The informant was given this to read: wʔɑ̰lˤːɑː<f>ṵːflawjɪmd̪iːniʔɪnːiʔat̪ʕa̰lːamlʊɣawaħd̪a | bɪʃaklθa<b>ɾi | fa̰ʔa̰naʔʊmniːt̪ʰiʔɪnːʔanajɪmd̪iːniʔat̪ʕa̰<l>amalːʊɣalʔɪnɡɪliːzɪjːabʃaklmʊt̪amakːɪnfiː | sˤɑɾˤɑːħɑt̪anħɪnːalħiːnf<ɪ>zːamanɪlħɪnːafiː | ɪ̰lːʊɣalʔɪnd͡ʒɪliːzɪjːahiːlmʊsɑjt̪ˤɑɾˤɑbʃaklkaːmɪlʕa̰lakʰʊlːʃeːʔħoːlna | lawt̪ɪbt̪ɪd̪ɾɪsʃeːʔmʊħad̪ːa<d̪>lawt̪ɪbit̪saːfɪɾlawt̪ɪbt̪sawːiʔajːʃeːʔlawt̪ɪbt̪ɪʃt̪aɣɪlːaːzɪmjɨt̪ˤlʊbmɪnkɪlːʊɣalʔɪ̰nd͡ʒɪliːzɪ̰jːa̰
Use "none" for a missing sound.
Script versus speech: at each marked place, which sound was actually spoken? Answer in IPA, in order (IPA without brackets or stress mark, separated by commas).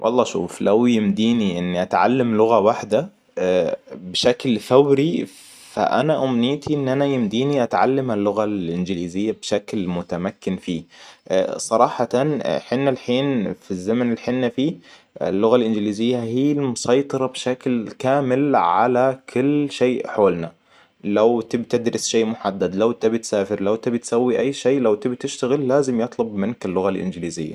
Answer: ʃ, w, lː, i, d̪